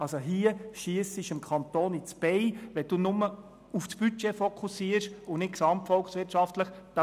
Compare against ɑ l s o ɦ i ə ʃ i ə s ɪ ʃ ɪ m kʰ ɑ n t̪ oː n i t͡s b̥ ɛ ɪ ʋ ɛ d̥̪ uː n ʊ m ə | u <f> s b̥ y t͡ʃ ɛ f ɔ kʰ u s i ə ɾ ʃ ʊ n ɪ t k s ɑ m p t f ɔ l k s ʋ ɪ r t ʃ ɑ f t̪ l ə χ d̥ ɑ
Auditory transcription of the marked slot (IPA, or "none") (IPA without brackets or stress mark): f